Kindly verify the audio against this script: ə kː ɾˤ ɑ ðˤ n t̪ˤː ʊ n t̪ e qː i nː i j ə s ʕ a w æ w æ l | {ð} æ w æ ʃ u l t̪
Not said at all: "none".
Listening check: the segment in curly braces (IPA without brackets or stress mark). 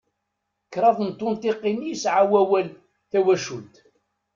θ